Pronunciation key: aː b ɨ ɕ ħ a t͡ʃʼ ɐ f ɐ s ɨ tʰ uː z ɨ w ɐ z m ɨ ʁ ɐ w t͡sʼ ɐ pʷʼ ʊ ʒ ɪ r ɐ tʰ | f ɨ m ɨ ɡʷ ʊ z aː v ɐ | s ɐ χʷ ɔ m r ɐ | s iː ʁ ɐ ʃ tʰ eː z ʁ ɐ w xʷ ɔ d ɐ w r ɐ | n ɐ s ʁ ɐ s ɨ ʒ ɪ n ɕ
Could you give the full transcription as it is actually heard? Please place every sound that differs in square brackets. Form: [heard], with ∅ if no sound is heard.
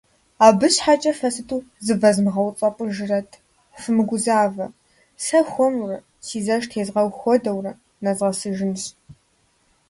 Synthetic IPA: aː b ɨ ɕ ħ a t͡ʃʼ ɐ f ɐ s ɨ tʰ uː z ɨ [v] ɐ z m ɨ ʁ ɐ w t͡sʼ ɐ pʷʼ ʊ ʒ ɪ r ɐ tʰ | f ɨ m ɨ ɡʷ ʊ z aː v ɐ | s ɐ [xʷ] ɔ m r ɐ | s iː [z] ɐ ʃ tʰ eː z ʁ ɐ w xʷ ɔ d ɐ w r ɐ | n ɐ [z] ʁ ɐ s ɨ ʒ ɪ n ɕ